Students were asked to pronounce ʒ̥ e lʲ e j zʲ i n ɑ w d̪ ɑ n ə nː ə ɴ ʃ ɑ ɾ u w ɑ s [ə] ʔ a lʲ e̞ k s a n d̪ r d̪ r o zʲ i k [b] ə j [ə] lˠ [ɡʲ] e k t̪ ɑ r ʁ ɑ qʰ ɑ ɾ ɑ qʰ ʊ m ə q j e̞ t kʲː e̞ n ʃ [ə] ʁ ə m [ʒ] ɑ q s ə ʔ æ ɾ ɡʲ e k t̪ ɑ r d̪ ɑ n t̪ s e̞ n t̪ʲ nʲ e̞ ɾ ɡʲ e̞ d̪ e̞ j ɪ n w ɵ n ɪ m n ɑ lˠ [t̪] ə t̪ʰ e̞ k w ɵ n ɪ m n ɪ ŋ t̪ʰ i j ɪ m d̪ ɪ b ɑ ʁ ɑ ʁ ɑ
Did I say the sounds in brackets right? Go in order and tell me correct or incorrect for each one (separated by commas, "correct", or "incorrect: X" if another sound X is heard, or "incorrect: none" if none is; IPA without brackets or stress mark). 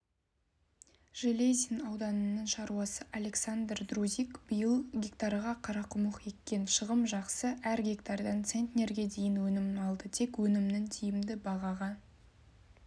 correct, correct, correct, correct, correct, correct, incorrect: d̪